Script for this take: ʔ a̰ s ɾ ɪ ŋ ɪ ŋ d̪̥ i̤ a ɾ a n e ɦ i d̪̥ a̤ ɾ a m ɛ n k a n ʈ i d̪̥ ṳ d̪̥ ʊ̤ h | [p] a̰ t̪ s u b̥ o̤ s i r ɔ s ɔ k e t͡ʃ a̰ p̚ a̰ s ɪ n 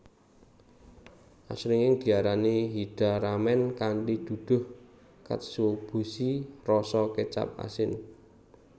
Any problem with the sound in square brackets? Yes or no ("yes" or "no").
yes